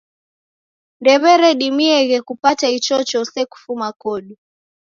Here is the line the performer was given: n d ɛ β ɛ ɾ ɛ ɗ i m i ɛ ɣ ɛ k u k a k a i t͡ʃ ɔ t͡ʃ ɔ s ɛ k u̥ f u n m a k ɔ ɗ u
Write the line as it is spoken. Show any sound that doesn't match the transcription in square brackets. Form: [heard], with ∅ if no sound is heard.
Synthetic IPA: n d ɛ β ɛ ɾ ɛ ɗ i m i ɛ ɣ ɛ k u [p] a [t] a i t͡ʃ ɔ t͡ʃ ɔ s ɛ k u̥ f u [∅] m a k ɔ ɗ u